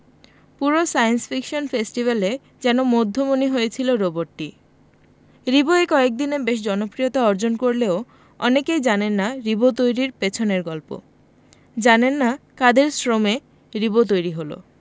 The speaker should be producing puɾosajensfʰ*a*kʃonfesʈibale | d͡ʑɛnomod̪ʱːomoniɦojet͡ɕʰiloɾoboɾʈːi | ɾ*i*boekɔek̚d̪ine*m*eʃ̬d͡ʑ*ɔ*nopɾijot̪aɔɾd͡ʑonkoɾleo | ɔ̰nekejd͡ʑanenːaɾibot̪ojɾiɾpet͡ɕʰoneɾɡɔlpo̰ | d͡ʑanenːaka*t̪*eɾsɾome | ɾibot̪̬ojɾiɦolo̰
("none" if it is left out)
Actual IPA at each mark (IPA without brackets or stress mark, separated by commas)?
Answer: i, i, b, ɔ, d̪